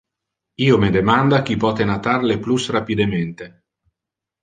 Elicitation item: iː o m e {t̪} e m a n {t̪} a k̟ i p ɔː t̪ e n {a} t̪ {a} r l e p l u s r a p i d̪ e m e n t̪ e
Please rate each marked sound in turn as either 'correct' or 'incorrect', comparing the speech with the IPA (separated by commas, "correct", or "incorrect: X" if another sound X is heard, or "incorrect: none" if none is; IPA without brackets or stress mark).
incorrect: d̪, incorrect: d̪, correct, correct